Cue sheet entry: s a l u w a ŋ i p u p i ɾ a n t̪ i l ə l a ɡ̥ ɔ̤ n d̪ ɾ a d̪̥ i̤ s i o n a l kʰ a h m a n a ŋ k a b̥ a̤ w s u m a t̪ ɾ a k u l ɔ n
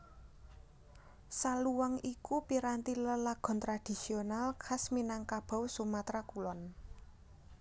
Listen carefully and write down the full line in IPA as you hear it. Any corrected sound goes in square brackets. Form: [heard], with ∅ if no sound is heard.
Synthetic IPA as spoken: s a l u w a ŋ i [k] u p i ɾ a n t̪ i l ə l a ɡ̥ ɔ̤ n [t̪] ɾ a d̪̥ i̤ s i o n a l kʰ a [s] m [i] n a ŋ k a b̥ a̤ w s u m a t̪ ɾ a k u l ɔ n